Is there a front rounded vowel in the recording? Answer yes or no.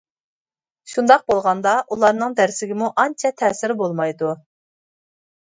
no